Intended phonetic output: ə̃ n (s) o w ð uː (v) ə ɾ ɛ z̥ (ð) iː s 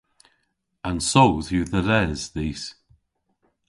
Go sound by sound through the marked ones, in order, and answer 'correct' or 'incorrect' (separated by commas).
correct, incorrect, correct